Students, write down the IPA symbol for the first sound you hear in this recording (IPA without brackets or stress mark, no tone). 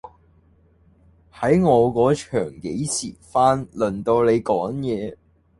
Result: h